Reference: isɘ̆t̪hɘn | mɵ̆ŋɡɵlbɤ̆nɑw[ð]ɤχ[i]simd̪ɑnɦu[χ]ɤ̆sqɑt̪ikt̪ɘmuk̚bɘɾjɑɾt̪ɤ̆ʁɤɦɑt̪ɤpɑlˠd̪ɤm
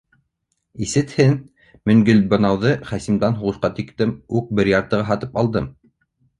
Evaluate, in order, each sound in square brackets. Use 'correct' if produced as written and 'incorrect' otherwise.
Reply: correct, incorrect: æ, incorrect: ʁ

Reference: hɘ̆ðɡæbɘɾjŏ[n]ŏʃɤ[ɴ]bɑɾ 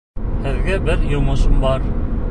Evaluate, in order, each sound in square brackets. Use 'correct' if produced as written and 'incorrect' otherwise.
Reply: incorrect: m, incorrect: m

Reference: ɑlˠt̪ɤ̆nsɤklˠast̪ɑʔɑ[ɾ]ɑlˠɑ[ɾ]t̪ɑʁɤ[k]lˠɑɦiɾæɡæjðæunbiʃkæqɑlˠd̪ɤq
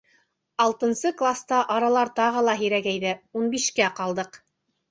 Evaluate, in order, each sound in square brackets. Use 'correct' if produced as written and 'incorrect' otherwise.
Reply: correct, correct, incorrect: none

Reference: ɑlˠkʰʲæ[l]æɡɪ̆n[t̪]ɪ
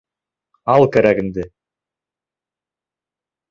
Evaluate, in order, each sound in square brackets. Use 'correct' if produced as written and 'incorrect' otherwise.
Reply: incorrect: ɾ, incorrect: d̪

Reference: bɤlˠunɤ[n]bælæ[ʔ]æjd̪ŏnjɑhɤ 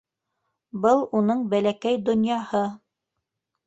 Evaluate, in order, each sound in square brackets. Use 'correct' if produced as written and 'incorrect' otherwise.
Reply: incorrect: ɴ, incorrect: k

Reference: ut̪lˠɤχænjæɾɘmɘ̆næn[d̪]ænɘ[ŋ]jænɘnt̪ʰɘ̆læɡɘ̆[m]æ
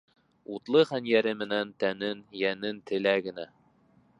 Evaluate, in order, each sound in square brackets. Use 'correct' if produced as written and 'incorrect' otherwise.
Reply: incorrect: t̪, incorrect: n, incorrect: n

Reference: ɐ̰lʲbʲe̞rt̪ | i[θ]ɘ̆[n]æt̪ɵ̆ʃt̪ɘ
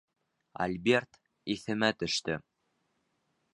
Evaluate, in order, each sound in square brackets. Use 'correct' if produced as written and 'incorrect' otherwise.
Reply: correct, incorrect: m

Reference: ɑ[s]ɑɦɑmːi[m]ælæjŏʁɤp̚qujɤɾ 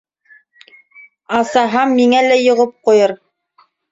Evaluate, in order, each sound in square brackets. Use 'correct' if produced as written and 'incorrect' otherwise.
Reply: correct, incorrect: ŋ

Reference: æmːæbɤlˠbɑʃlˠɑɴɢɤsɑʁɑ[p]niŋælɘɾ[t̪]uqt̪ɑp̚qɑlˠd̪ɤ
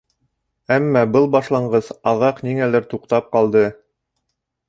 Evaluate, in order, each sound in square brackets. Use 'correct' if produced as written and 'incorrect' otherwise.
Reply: incorrect: q, correct

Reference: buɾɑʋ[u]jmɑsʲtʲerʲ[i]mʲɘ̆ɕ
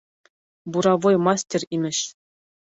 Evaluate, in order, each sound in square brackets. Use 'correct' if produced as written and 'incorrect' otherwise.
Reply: incorrect: o, correct

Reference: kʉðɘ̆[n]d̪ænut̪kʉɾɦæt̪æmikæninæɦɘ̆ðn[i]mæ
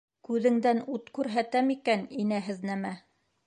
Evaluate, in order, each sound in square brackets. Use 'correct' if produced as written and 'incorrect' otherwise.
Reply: incorrect: ŋ, incorrect: æ

